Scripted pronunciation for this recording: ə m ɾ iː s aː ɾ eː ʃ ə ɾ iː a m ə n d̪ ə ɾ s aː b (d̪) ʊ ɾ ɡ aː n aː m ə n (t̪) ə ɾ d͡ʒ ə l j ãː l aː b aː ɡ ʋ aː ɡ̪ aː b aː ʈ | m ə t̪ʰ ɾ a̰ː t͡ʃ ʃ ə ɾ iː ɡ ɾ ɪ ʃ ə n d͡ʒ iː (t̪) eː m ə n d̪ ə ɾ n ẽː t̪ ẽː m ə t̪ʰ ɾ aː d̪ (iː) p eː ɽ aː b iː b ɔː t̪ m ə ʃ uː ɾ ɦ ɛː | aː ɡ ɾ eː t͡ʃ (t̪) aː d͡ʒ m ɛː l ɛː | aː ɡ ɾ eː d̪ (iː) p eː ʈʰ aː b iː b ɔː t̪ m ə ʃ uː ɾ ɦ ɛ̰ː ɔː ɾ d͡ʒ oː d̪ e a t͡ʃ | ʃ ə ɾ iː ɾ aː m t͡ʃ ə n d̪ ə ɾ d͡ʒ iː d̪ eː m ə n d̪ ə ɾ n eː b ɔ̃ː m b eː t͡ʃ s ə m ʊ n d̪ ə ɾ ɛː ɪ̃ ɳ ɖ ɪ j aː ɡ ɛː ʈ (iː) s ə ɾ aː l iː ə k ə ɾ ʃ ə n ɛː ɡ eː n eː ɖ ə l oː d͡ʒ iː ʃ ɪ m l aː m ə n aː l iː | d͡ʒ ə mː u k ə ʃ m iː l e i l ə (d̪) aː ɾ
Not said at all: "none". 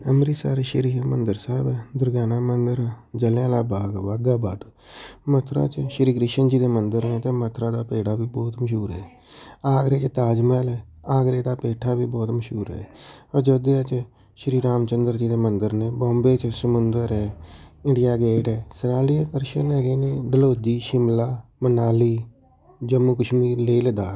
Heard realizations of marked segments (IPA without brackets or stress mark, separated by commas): d̪, d̪, d̪, aː, t̪, aː, ɛː, d̪